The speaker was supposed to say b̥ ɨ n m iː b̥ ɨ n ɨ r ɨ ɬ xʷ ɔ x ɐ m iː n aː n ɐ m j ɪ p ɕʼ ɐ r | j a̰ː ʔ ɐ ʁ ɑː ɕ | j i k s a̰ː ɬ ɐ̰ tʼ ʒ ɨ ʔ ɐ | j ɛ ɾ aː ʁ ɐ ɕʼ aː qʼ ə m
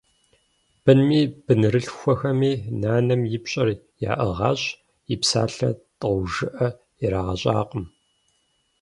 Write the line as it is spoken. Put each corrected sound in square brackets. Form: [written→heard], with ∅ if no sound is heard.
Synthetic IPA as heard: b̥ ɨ n m iː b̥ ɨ n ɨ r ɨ ɬ xʷ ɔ x ɐ m iː n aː n ɐ m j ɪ p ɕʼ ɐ r | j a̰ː ʔ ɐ ʁ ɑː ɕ | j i [k→p] s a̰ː ɬ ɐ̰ tʼ ʒ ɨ ʔ ɐ | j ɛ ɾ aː ʁ ɐ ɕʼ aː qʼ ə m